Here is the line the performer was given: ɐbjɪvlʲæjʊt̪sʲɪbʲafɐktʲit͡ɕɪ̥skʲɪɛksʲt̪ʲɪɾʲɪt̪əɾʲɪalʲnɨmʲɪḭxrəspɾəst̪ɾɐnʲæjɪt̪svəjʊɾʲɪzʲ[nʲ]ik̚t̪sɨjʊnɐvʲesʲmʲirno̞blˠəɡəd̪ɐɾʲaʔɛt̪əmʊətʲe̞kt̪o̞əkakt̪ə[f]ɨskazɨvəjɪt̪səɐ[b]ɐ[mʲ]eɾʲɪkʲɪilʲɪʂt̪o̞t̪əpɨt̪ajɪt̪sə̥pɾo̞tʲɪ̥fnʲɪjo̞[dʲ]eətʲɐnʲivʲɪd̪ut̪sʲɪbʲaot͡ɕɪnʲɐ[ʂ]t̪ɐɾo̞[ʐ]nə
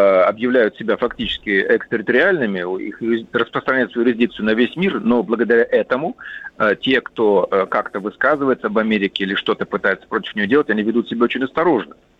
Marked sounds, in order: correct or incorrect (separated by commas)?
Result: incorrect, incorrect, correct, correct, correct, incorrect, correct